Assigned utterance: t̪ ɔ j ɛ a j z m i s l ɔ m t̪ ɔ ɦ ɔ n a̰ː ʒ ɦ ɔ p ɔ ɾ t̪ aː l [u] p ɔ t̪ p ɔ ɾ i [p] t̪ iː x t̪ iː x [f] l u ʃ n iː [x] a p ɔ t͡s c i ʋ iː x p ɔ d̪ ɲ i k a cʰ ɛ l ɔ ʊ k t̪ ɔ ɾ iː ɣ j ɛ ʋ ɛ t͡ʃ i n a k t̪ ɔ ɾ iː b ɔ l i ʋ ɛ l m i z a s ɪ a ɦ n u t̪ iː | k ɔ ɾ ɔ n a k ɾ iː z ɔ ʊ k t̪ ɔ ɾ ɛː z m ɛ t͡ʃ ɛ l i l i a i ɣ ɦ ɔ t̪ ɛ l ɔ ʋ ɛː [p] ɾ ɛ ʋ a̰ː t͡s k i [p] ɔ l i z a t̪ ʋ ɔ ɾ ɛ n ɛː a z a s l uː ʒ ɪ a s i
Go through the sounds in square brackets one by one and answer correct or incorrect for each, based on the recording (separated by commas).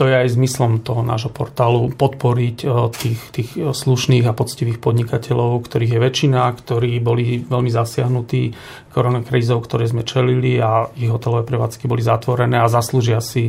correct, incorrect, incorrect, incorrect, correct, incorrect